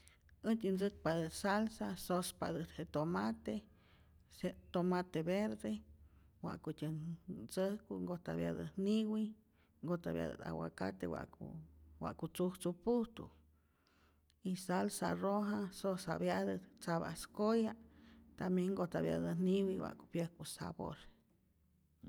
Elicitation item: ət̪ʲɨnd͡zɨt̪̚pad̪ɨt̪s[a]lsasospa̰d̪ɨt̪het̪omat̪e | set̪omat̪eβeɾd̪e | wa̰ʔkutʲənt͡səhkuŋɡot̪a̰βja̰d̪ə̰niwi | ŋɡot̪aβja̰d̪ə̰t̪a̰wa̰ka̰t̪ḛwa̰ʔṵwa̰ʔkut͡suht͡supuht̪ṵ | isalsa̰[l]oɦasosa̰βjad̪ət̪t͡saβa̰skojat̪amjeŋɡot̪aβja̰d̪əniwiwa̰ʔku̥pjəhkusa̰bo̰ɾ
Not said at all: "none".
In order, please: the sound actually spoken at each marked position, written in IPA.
a, r

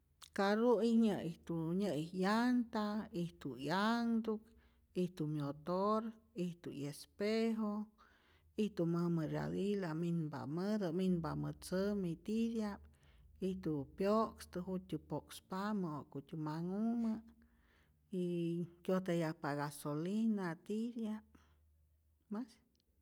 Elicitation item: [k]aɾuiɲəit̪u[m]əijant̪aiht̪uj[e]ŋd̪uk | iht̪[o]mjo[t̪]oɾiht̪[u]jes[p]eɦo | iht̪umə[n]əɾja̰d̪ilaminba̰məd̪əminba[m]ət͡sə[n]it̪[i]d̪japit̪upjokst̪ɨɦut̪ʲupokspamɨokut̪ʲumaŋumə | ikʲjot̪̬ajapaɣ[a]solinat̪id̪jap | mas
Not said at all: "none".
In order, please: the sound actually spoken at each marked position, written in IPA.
k, ɲ, a, u, t̪, u, p, m, m, m, i, a

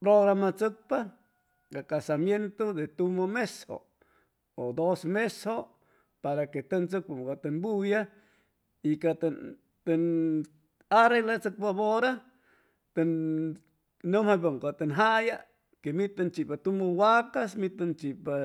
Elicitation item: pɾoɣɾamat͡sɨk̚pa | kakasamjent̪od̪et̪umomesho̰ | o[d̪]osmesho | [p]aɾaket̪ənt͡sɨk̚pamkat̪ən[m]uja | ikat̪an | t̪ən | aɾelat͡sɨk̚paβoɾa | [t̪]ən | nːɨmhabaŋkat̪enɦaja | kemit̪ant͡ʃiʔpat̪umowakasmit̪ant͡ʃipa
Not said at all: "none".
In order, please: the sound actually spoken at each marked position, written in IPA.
d̪, p, b, t̪

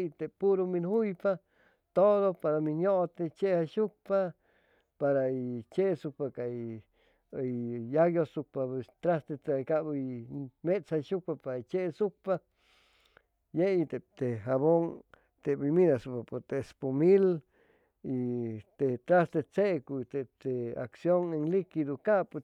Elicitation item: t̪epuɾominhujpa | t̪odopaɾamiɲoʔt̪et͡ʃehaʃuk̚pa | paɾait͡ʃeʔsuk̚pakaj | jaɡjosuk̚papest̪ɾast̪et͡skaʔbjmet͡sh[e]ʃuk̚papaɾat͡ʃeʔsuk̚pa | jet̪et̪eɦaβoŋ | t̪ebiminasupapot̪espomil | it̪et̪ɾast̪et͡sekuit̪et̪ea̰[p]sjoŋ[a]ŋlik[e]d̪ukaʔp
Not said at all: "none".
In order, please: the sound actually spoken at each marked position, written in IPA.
a, k, e, i

